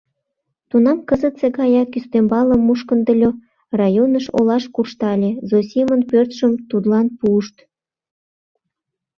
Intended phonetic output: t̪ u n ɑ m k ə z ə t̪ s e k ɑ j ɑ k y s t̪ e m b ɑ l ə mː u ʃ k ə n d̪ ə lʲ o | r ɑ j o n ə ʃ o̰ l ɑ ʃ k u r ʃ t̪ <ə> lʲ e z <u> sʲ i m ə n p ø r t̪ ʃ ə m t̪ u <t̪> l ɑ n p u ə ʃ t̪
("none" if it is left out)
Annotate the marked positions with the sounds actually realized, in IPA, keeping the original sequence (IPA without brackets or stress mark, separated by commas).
ɑ, o, d̪